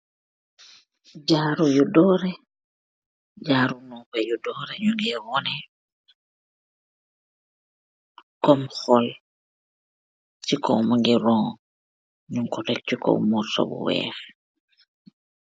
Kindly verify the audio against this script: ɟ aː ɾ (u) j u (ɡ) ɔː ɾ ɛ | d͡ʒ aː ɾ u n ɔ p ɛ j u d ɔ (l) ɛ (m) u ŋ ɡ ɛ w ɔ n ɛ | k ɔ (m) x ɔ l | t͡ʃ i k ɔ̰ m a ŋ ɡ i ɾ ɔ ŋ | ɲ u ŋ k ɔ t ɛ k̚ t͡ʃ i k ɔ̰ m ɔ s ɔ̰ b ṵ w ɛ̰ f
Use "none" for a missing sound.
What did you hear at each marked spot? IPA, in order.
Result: u, d, ɾ, ɲ, m

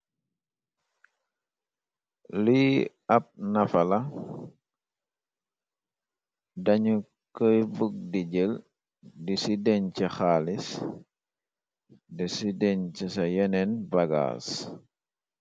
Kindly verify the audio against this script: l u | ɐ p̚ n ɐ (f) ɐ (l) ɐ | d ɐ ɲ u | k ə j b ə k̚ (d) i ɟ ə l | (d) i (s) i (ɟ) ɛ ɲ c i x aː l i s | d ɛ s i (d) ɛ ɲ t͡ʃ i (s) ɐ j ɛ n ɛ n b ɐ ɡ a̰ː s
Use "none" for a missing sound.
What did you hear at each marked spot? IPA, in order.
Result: f, l, d, d, s, d, d, s

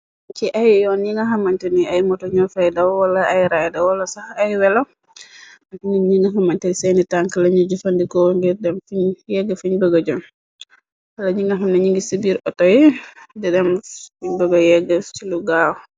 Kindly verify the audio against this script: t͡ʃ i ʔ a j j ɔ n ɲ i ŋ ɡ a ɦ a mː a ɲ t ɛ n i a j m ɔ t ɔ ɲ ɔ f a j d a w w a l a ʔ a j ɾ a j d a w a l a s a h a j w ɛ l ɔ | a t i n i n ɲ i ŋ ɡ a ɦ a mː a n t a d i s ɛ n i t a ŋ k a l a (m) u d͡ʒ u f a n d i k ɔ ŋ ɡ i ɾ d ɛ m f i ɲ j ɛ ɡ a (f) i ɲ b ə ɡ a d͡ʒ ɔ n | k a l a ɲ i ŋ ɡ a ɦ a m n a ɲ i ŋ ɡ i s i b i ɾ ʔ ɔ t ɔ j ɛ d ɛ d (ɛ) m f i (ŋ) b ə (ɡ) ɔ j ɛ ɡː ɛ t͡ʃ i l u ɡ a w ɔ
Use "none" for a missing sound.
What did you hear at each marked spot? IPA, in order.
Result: ɲ, f, ɛ, ɲ, ɡ

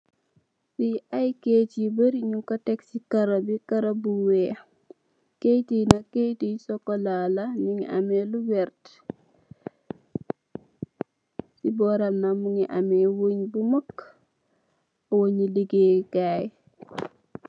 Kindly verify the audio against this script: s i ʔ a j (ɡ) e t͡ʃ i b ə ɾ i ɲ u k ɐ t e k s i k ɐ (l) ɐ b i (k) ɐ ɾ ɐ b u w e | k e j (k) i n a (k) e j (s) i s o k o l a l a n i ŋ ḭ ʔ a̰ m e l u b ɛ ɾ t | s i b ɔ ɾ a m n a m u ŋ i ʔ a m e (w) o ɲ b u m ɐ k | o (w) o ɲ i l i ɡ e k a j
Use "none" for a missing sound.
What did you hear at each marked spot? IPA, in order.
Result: k, ɾ, k, t, k, t, w, w

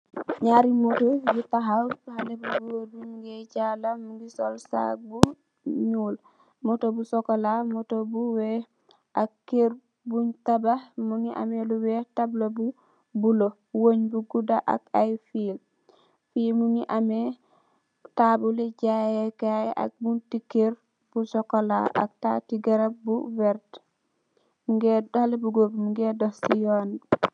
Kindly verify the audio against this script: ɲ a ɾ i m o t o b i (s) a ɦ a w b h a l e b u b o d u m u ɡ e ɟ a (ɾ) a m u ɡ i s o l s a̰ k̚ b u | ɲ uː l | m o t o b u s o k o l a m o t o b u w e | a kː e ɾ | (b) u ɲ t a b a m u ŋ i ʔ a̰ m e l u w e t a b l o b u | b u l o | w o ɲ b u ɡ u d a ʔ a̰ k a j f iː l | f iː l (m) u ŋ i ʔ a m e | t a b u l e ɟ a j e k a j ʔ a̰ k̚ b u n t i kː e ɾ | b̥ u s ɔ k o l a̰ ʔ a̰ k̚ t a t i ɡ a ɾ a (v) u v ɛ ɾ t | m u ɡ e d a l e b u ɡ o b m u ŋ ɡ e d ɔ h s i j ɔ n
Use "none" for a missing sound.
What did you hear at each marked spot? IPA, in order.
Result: t, l, b, m, b

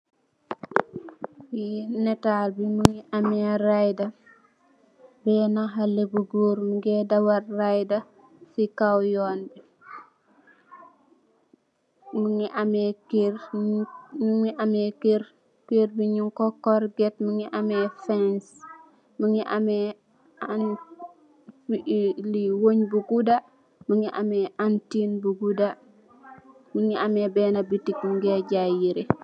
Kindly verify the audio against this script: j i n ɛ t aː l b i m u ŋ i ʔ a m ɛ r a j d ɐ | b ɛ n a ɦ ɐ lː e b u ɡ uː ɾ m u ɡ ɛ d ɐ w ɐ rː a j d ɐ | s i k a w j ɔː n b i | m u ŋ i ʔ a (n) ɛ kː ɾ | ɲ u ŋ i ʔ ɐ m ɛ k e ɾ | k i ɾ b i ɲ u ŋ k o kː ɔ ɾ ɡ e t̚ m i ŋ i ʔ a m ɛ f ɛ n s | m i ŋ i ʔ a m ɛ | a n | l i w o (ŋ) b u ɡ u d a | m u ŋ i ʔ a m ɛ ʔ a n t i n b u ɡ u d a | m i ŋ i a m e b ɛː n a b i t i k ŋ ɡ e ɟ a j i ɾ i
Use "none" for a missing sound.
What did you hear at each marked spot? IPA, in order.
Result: m, ɲ

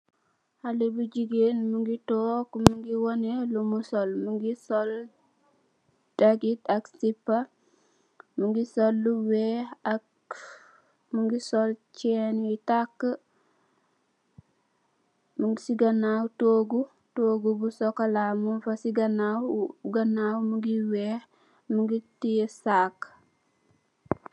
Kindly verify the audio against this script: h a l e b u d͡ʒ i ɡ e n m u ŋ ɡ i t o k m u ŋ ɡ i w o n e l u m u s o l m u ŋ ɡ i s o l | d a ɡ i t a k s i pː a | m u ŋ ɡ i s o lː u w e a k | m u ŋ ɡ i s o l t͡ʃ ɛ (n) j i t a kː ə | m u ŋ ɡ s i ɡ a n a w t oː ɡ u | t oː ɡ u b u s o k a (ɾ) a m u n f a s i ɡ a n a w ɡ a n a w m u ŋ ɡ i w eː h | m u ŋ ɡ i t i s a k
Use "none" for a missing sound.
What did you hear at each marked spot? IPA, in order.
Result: n, l

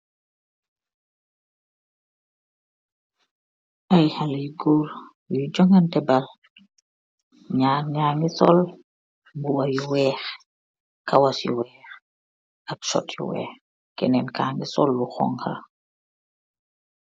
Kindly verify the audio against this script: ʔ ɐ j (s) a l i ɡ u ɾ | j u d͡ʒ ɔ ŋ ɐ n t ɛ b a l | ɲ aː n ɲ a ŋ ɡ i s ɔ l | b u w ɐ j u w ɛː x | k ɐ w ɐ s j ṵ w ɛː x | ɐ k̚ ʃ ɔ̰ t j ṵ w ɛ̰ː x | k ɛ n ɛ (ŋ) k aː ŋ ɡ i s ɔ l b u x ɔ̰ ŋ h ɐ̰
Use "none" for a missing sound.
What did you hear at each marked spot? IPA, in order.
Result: h, n

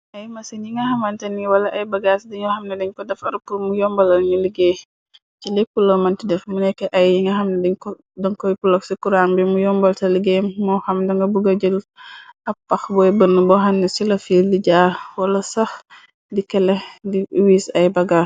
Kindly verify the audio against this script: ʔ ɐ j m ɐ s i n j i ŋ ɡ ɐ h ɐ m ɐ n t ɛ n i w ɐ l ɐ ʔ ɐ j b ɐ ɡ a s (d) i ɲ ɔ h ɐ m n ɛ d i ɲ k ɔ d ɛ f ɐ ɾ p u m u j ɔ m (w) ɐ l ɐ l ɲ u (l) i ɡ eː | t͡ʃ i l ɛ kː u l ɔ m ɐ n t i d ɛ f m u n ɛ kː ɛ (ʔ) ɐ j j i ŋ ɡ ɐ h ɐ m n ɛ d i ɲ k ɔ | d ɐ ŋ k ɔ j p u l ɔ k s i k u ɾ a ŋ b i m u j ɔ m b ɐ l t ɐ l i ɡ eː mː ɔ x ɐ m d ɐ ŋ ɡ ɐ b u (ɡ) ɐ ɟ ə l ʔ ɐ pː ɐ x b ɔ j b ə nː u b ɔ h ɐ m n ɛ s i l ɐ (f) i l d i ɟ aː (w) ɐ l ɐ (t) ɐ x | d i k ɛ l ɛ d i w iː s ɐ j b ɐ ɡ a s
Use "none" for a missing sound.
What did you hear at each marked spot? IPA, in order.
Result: d, b, l, ʔ, ɡ, f, w, s

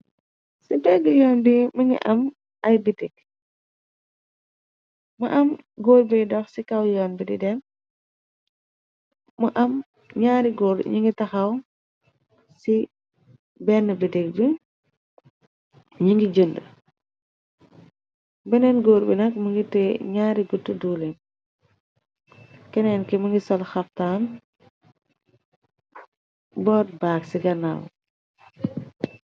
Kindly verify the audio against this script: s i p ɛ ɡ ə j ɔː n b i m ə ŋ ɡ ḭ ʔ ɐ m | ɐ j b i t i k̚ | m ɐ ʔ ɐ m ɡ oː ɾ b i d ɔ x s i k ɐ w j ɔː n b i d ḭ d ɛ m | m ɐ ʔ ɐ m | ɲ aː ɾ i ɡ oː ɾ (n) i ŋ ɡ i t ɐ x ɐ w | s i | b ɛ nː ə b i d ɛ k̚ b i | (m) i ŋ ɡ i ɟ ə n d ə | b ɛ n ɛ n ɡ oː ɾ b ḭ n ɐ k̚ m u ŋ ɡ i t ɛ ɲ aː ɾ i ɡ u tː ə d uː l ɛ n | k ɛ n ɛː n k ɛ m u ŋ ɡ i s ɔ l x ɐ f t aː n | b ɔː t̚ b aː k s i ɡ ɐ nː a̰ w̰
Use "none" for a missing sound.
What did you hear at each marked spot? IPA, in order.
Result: ɲ, ɲ

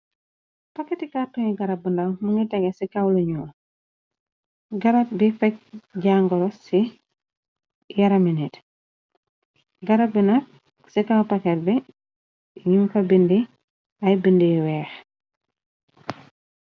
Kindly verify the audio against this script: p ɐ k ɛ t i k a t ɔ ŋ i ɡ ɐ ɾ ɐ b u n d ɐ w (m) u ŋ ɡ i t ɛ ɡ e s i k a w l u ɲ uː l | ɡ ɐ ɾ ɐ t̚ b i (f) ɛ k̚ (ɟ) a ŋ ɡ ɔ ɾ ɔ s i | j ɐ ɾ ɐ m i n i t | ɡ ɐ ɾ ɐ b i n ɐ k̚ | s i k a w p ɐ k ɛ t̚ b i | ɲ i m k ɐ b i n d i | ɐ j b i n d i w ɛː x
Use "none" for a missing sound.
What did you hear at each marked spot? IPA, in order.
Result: m, f, ɟ

